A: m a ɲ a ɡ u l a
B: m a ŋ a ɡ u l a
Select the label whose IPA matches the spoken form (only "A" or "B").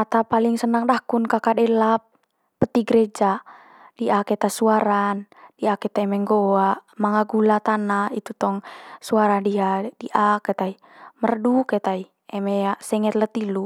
B